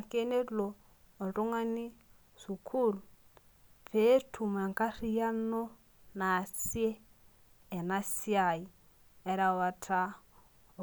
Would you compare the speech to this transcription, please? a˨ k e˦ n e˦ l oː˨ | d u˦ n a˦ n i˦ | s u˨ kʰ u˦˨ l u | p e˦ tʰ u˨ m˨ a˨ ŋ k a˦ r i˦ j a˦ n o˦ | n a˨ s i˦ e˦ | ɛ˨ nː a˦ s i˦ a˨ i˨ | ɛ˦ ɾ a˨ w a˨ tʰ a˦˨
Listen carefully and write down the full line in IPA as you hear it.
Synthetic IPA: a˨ k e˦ n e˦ l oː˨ | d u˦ ŋ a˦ n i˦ | s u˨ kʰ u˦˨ l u | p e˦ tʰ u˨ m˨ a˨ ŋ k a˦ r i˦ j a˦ n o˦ | n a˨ s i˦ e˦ | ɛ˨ n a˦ s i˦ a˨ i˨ | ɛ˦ ɾ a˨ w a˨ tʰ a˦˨